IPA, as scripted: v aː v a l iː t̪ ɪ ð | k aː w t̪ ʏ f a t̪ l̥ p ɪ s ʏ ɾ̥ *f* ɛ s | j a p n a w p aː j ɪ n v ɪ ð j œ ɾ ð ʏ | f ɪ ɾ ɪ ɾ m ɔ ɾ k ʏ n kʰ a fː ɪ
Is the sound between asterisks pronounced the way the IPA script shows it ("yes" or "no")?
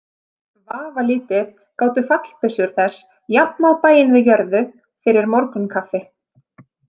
no